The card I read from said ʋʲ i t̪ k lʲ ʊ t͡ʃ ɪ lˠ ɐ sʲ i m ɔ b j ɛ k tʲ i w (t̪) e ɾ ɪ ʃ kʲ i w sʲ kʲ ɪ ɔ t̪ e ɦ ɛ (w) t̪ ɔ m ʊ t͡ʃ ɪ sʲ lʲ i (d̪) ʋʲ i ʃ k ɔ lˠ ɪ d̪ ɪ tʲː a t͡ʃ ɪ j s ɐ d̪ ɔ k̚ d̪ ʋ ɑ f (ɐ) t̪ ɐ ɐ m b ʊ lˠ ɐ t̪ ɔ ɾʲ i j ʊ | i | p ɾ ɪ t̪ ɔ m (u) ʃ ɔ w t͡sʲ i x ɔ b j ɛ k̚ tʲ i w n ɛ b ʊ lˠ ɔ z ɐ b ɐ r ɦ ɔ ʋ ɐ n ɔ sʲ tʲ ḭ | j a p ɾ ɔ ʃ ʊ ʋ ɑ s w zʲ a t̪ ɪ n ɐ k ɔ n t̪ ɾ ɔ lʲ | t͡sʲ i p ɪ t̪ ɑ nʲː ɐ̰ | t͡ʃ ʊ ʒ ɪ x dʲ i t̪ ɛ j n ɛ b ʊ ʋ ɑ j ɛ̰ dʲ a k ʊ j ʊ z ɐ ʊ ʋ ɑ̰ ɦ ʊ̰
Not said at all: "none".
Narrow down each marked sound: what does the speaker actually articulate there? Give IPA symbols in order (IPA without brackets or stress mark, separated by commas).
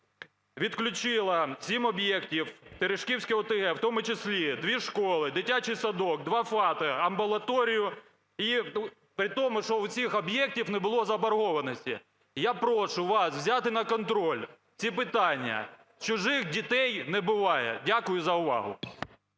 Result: t̪, w, d̪, ɑ, ʊ